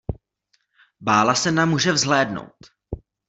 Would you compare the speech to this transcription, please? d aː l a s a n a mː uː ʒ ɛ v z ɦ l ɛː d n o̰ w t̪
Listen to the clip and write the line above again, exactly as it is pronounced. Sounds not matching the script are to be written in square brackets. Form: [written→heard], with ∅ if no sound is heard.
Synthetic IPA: [d→b] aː l a s [a→ɛ] n a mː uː ʒ ɛ v z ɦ l ɛː d n o̰ w t̪